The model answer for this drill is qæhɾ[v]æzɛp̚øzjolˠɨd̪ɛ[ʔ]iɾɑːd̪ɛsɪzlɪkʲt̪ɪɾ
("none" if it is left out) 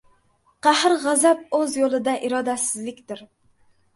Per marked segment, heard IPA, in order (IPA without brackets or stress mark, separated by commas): ʁ, ʔ